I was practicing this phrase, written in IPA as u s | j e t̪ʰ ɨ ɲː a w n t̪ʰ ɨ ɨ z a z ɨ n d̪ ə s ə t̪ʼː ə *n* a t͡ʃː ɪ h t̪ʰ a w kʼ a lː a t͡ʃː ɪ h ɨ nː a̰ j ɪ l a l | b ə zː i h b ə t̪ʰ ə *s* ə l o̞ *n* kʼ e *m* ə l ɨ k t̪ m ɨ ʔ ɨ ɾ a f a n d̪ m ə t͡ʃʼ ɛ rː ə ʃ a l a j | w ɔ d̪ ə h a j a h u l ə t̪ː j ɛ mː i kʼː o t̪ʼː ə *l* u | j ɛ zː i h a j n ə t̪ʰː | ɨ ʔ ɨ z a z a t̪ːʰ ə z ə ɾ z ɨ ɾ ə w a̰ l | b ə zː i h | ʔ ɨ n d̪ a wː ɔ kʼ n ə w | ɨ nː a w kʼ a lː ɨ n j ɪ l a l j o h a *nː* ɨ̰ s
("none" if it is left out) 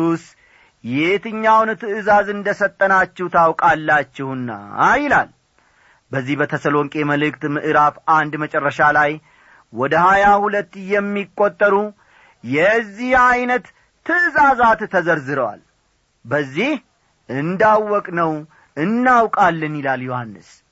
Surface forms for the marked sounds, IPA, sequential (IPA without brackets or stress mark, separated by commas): n, s, ŋ, m, ɾ, nː